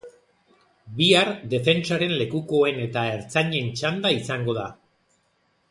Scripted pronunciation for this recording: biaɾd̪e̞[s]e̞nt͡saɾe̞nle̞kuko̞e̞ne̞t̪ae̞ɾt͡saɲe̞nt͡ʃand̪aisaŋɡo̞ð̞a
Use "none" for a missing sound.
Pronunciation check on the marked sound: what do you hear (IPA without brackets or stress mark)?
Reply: f